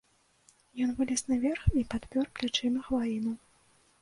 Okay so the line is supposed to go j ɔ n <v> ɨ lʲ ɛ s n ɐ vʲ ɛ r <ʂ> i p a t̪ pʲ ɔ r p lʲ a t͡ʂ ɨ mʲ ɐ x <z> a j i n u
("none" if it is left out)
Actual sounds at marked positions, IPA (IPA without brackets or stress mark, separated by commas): v, x, v